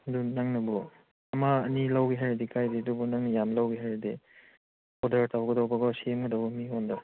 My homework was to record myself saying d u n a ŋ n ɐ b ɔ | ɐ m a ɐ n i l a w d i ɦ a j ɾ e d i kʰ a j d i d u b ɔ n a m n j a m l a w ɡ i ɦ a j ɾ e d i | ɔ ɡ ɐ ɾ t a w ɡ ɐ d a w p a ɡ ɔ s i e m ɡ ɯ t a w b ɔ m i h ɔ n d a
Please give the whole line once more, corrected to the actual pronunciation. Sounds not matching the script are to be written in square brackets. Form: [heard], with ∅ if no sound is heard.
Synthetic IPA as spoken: d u n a ŋ n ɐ b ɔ | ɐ m a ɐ n i l a w [ɡ] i ɦ a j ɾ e d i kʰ a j d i d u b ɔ n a [ŋ] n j a m l a w ɡ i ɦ a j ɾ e d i | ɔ [d] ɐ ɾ t a w ɡ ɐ d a w [b] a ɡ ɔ s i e m ɡ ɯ [d] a w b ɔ m i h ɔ n d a